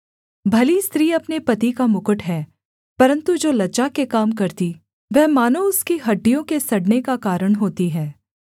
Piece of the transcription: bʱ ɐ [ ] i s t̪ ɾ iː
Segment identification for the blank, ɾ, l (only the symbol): l